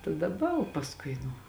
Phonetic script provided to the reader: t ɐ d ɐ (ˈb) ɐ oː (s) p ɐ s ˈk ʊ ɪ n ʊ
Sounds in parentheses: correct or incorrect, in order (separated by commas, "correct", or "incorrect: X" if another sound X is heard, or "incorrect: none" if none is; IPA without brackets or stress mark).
correct, incorrect: none